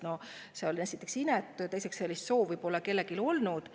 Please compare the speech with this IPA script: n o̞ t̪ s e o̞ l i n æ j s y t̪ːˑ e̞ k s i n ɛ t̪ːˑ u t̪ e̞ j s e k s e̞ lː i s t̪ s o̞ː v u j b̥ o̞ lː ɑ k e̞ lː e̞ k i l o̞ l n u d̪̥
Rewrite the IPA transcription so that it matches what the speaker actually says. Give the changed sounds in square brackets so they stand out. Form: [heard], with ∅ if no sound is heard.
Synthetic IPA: n o̞ [∅] s e o̞ l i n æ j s [i] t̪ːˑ e̞ k s i n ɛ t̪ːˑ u t̪ e̞ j s e k s e̞ lː i s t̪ s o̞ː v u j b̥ o̞ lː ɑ k e̞ lː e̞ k i l o̞ l n u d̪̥